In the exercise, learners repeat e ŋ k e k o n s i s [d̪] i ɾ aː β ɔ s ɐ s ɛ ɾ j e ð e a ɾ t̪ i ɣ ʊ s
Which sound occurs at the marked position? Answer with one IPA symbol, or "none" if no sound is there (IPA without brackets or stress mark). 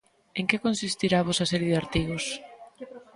t̪